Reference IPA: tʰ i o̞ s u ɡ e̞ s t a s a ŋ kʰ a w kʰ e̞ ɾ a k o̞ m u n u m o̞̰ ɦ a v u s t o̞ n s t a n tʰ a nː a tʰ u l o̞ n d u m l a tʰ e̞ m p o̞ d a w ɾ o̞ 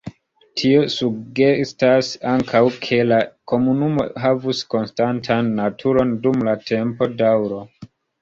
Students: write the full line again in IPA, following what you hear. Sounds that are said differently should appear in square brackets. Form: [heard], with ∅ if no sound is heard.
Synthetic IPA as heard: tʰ i o̞ s u ɡ e̞ s t a s a ŋ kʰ a w kʰ e̞ [l] a k o̞ m u n u m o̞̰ ɦ a v u s [k] o̞ n s t a n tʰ a nː a tʰ u [ɾ] o̞ n d u m l a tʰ e̞ m p o̞ d a w ɾ o̞